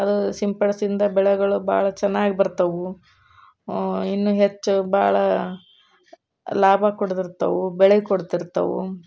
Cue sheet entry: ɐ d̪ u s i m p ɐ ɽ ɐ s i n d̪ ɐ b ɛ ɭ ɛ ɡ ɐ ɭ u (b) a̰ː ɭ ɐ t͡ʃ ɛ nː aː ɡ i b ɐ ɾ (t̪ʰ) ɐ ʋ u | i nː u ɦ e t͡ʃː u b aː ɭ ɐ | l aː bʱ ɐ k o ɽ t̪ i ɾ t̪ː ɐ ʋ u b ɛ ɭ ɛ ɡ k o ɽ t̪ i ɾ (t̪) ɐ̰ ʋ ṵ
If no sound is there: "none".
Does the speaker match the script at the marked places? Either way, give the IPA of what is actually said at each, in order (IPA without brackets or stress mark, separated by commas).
b, t̪, t̪